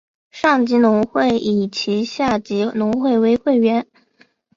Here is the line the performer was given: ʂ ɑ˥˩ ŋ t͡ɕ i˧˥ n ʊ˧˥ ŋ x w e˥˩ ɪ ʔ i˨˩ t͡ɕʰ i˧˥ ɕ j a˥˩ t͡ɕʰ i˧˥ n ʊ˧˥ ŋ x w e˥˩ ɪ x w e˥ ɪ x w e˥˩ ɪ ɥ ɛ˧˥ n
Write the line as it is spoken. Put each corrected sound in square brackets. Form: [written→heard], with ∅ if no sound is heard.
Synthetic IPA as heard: ʂ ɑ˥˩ ŋ t͡ɕ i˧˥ n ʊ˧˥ ŋ x w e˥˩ ɪ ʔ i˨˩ t͡ɕʰ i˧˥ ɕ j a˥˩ [t͡ɕʰ→t͡ɕ] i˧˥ n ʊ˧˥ ŋ x w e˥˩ ɪ [x→∅] w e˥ ɪ x w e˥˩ ɪ ɥ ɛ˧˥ n